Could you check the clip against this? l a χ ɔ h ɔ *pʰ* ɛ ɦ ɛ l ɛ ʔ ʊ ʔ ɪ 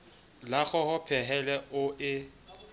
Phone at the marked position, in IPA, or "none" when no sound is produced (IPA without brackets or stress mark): pʰ